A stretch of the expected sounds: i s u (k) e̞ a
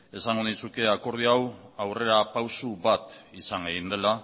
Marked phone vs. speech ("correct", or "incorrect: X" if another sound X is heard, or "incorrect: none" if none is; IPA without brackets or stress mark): correct